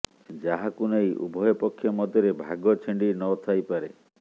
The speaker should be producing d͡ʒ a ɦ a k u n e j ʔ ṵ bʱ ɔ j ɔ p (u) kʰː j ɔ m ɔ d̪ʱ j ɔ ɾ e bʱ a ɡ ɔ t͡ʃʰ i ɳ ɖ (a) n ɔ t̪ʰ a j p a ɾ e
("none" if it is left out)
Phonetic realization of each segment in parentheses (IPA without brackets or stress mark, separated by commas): ɔ, i